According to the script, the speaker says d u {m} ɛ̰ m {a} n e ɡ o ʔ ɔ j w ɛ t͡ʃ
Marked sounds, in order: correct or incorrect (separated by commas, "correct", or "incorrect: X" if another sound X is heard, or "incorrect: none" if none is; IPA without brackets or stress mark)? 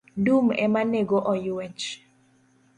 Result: correct, correct